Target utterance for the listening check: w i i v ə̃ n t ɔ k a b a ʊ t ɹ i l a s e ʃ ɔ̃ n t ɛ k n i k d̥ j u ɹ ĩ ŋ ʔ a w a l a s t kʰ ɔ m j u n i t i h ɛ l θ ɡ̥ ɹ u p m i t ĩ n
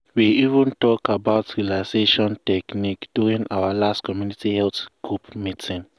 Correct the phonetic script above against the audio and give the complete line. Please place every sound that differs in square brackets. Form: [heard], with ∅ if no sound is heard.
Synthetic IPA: w i i v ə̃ n t ɔ k a b a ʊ t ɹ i l a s e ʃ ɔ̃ n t ɛ k n i k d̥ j u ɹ ĩ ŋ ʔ a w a l a s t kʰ ɔ m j u n i t i h ɛ l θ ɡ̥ ɹ u p m i t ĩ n